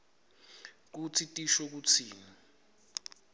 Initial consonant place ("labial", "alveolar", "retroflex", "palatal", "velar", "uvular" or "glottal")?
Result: velar